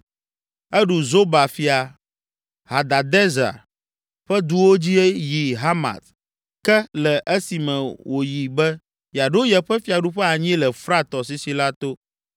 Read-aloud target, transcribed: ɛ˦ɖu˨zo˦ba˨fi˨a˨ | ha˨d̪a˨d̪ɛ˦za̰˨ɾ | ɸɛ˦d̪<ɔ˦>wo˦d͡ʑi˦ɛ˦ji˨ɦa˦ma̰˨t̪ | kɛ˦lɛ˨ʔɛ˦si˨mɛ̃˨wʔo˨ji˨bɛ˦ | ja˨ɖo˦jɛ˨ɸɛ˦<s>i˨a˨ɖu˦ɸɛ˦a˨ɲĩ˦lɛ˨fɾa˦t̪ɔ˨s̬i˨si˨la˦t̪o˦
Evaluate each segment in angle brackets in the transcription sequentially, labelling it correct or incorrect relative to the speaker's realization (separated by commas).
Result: incorrect, incorrect